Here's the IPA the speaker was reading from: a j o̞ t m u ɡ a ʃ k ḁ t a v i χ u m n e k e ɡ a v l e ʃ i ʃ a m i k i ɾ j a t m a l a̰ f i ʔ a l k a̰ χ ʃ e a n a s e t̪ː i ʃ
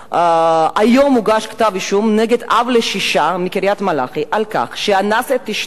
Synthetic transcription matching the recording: a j o̞ m u ɡ a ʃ k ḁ t a v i ʃ u m n e ɡ e d a v l e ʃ i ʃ a m i k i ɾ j a t m a l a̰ χ i ʔ a l k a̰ χ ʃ e a n a s e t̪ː i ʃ